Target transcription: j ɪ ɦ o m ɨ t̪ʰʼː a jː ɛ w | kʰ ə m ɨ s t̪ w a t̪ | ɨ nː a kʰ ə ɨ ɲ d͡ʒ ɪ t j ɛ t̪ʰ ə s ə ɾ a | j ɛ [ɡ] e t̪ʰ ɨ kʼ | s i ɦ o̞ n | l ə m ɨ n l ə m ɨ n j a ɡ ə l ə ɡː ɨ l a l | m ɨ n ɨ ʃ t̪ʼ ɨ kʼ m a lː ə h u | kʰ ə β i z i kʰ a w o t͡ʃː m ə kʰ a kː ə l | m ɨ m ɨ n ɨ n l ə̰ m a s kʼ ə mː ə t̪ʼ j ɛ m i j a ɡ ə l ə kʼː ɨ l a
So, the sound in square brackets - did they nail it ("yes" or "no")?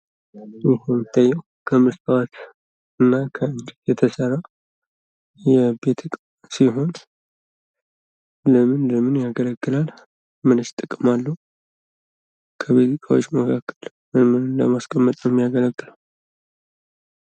no